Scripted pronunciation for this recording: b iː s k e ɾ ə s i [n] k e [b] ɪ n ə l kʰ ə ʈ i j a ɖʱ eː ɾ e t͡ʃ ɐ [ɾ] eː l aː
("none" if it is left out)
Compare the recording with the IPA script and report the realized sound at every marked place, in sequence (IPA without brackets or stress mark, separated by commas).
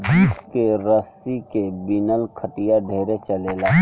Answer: none, b, l